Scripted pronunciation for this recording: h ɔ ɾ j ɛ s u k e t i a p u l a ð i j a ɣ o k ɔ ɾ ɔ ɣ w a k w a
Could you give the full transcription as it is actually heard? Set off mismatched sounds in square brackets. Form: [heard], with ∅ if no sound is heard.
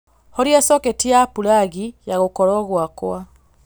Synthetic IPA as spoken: h ɔ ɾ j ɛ s [ɔ] k e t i a p u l a [ɣ] i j a ɣ o k ɔ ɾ ɔ ɣ w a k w a